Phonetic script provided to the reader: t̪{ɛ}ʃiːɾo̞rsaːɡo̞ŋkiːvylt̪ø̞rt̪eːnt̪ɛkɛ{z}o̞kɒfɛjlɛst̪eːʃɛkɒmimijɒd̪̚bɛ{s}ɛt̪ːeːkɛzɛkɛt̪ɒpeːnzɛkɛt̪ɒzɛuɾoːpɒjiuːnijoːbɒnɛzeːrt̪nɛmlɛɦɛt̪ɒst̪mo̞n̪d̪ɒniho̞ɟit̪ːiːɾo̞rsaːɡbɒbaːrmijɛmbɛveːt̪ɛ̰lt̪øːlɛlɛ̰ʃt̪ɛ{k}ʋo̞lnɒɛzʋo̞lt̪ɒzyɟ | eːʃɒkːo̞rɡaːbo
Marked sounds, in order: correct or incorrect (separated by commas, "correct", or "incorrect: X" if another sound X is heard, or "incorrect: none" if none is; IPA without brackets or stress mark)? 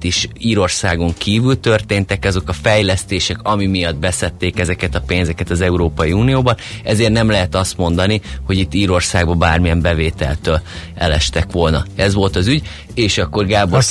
incorrect: i, correct, correct, correct